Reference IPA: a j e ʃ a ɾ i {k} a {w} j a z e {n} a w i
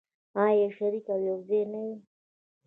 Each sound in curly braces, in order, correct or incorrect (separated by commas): correct, correct, correct